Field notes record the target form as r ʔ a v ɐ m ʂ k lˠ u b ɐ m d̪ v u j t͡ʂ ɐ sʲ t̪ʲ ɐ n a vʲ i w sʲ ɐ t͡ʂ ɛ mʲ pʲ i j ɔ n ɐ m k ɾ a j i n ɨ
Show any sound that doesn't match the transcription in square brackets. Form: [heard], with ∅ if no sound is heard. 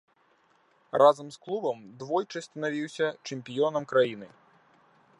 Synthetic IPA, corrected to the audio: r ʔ a [z] ɐ m [s] k lˠ u b ɐ m d̪ v [ɔ] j t͡ʂ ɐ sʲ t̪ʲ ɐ n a vʲ i w sʲ ɐ t͡ʂ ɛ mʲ pʲ i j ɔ n ɐ m k ɾ a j i n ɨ